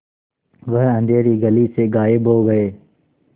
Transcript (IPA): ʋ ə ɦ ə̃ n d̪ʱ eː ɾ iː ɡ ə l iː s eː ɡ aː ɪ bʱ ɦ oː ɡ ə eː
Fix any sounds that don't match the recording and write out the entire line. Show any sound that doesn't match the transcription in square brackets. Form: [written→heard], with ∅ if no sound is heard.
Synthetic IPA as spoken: ʋ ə ɦ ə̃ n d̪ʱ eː ɾ iː ɡ ə l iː s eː ɡ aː ɪ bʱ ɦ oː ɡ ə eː